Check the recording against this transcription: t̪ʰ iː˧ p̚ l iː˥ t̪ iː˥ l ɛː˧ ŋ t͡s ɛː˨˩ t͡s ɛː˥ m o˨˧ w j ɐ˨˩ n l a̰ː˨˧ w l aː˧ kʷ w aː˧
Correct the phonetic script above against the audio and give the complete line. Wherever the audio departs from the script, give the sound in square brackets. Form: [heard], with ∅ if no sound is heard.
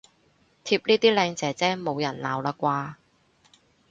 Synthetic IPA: t̪ʰ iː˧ p̚ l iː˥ t̪ iː˥ l ɛː˧ ŋ t͡s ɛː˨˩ t͡s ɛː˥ m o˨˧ w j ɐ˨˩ n l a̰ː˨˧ w l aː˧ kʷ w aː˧